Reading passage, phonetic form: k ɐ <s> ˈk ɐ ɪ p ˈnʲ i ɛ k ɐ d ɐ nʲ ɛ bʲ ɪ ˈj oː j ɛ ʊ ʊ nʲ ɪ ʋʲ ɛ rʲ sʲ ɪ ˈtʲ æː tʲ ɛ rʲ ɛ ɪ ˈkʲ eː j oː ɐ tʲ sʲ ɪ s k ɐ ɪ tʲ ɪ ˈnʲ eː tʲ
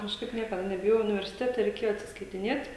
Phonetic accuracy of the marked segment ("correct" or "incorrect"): incorrect